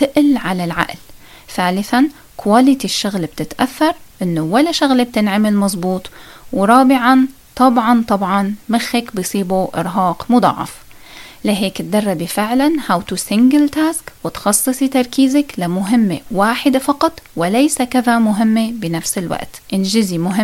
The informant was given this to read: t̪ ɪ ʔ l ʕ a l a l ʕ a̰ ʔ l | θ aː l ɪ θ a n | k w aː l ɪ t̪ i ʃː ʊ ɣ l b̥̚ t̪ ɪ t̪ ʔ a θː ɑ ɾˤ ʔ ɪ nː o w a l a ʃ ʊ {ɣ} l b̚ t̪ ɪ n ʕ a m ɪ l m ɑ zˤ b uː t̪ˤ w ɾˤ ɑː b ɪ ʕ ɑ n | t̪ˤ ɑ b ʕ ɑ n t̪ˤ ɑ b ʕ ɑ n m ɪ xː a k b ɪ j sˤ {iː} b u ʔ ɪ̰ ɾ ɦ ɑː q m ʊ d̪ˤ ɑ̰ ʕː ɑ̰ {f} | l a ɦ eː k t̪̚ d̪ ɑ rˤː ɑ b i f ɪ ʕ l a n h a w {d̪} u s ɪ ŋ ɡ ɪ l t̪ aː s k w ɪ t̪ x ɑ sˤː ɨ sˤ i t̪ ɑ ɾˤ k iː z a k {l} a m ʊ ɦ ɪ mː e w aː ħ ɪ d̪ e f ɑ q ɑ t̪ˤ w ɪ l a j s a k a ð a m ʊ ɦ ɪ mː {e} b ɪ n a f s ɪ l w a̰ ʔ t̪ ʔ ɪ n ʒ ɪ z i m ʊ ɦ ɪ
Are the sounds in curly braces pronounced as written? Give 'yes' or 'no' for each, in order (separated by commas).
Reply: yes, yes, yes, no, yes, yes